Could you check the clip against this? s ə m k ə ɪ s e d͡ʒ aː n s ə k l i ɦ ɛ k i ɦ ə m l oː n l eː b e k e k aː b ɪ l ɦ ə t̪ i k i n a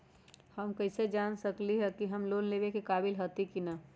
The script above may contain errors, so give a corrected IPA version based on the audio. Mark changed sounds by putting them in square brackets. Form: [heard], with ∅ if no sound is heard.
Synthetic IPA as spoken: [h] ə m k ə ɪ s e d͡ʒ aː n s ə k l i ɦ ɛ k i ɦ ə m l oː n l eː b e k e k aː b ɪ l ɦ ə t̪ i k i n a